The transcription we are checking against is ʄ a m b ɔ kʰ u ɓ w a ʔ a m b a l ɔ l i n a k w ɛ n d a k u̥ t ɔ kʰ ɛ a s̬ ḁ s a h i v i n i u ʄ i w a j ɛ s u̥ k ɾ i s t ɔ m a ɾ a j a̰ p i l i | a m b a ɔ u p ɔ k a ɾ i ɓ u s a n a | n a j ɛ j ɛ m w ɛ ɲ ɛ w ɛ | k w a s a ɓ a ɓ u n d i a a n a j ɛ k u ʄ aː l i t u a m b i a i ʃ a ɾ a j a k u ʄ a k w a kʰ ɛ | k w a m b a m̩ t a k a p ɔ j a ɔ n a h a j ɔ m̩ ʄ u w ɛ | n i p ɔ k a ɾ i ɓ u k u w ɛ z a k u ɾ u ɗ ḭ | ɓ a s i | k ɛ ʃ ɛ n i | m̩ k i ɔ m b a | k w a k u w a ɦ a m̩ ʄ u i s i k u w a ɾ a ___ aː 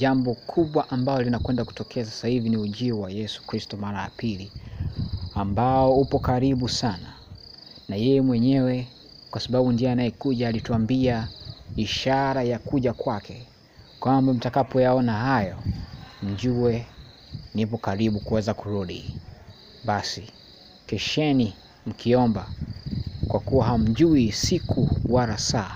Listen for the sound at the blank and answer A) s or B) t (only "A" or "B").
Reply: A